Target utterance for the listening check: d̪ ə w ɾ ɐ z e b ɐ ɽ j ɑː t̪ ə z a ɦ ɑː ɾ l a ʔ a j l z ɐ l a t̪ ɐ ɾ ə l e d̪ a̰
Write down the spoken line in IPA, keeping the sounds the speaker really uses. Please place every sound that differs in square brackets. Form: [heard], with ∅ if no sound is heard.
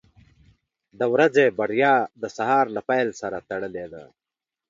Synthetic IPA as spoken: d̪ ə w ɾ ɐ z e b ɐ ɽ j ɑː [d̪] ə [s] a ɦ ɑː ɾ l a [p] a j l [s] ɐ [ɾ] a t̪ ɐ [ɽ] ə l e d̪ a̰